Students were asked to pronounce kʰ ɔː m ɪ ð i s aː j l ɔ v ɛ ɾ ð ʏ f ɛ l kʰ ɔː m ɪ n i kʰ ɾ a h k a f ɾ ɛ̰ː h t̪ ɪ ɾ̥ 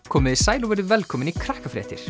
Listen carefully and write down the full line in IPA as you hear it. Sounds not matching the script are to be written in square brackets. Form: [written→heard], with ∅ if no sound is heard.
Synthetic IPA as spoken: kʰ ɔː m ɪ ð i s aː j l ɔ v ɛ ɾ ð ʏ [f→v] ɛ l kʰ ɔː m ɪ n i kʰ ɾ a h k a f ɾ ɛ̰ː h t̪ ɪ ɾ̥